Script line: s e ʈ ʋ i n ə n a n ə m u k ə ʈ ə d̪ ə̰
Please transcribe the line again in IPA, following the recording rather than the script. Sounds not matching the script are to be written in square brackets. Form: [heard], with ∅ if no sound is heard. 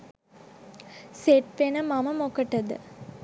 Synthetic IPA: s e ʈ ʋ [e] n ə [m] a [m] ə m [o] k ə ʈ ə d̪ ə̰

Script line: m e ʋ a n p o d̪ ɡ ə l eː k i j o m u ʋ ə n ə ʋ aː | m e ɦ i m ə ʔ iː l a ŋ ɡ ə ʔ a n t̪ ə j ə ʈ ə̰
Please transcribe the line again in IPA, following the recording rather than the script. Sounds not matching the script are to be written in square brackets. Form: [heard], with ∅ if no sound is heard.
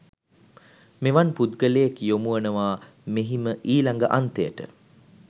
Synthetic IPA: m e ʋ a n p [u] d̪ ɡ ə l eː k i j o m u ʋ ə n ə ʋ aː | m e ɦ i m ə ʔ iː l a ŋ ɡ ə ʔ a n t̪ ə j ə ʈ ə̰

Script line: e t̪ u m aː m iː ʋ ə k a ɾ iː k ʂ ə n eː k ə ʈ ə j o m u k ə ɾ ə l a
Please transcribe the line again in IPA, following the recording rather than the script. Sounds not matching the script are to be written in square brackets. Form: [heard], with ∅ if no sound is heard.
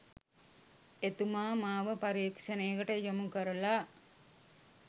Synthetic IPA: e t̪ u m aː m [aː] ʋ ə [p] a ɾ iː k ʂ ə n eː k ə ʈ ə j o m u k ə ɾ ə l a

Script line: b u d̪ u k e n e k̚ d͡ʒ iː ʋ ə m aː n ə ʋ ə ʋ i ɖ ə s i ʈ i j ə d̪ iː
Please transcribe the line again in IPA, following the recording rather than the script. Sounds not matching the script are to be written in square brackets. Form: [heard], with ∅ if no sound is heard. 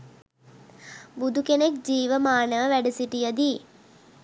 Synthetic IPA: b u d̪ u k e n e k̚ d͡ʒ iː ʋ ə m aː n ə ʋ ə ʋ [æ] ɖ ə s i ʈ i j ə d̪ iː

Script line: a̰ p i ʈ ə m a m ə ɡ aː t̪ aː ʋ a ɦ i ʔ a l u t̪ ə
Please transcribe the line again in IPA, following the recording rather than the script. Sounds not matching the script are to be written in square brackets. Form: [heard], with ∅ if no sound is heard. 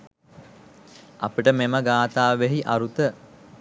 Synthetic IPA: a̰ p i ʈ ə m [e] m ə ɡ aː t̪ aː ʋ [e] ɦ i ʔ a [ɾ] u t̪ ə

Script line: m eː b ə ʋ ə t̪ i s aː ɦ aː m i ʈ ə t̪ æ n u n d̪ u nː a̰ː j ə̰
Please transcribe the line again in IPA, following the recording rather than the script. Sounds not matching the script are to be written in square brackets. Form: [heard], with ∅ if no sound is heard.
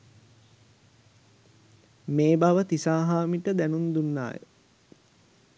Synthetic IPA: m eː b [a] ʋ ə t̪ i s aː ɦ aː m i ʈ ə [d̪] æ n u n d̪ u nː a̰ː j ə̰

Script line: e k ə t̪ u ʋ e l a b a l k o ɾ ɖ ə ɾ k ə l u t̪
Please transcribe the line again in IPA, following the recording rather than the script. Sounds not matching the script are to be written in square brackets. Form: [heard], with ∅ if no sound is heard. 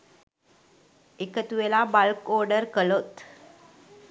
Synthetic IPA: e k ə t̪ u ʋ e l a b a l k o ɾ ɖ ə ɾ k ə l [o] t̪

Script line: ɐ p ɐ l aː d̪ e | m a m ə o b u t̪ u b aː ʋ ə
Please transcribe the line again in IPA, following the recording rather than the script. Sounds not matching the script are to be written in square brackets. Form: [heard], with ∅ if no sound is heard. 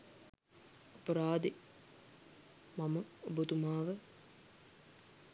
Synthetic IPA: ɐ p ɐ [ɾ] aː d̪ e | m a m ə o b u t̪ u [m] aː ʋ ə

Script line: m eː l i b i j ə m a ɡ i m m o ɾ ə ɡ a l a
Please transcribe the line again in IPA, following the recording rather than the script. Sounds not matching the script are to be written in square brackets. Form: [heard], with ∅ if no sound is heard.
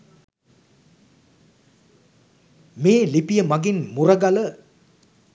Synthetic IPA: m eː l i [p] i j ə m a ɡ i [n] m [u] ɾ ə ɡ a l [ə]

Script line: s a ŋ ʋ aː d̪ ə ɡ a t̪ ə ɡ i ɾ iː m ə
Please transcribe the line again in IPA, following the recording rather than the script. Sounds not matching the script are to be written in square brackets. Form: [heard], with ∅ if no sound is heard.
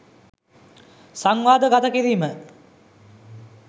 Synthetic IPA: s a ŋ ʋ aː d̪ ə ɡ a t̪ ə [k] i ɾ iː m ə

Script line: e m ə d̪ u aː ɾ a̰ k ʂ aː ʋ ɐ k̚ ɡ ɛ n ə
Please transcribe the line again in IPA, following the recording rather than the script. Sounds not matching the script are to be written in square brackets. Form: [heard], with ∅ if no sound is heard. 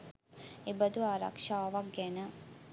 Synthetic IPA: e [b] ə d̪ u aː ɾ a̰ k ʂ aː ʋ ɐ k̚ ɡ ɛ n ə

